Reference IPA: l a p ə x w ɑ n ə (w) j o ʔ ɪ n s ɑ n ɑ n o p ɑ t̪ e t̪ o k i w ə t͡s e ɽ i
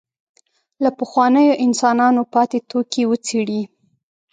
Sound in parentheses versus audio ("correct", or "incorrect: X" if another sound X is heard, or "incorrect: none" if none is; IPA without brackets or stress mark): incorrect: none